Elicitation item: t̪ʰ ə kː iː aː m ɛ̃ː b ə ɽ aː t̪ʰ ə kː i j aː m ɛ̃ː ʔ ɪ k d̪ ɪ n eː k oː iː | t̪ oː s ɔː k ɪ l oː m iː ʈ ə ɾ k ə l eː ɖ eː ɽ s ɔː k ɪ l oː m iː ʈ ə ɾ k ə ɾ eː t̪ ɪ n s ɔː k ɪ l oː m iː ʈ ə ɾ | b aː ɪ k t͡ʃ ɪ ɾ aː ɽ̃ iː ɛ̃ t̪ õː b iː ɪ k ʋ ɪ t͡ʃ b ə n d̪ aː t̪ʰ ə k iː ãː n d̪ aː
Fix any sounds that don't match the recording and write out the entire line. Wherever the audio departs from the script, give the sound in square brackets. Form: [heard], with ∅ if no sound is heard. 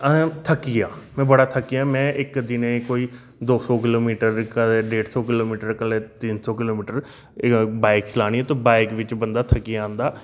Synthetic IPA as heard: t̪ʰ ə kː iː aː m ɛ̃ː b ə ɽ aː t̪ʰ ə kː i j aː m ɛ̃ː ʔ ɪ k d̪ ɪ n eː k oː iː | [d̪] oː s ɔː k ɪ l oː m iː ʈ ə ɾ k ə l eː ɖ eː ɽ s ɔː k ɪ l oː m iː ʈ ə ɾ k ə [l] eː t̪ ɪ n s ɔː k ɪ l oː m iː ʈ ə ɾ | b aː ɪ k t͡ʃ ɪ [l] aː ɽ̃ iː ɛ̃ t̪ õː b [aː] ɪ k ʋ ɪ t͡ʃ b ə n d̪ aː t̪ʰ ə k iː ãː n d̪ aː